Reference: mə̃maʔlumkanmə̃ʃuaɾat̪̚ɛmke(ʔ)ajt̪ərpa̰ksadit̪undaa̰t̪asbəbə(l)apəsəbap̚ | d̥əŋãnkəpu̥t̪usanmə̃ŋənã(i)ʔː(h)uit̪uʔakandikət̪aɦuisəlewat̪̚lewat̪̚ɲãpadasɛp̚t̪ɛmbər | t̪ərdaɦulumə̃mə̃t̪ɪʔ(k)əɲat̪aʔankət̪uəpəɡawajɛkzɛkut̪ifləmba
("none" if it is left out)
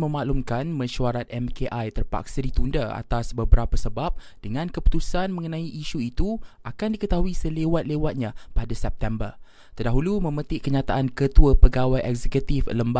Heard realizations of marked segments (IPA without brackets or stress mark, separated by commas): ʔ, ɾ, i, ʃ, k